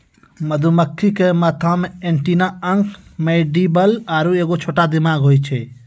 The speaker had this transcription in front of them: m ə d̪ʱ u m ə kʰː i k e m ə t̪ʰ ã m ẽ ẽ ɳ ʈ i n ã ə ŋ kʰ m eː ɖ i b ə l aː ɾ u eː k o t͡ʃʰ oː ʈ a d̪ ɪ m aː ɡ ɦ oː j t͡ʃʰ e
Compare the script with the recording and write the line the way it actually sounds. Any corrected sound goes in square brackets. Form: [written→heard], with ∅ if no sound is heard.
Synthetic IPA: m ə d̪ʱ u m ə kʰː i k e m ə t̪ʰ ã m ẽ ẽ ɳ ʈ i n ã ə ŋ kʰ m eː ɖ i b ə l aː ɾ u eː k o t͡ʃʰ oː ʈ a d̪ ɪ m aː ɡ ɦ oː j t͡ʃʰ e